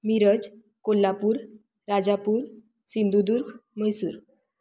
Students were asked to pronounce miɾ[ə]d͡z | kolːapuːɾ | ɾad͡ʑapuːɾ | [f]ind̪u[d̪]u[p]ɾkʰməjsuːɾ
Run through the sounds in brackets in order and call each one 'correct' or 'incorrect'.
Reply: correct, incorrect: s, correct, incorrect: none

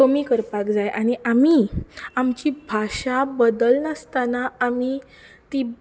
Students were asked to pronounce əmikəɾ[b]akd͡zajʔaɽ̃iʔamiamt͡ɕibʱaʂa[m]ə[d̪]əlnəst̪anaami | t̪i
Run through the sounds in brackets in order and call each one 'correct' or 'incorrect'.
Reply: incorrect: p, incorrect: b, correct

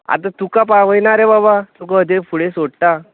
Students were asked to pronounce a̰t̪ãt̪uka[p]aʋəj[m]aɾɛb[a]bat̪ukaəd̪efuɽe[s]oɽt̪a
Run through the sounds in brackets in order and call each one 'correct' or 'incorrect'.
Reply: correct, incorrect: n, correct, correct

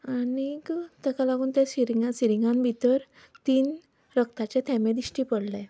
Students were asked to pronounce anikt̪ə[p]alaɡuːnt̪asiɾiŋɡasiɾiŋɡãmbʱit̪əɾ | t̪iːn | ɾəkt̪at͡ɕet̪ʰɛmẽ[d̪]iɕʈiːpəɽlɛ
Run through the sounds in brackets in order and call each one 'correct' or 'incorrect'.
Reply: incorrect: k, correct

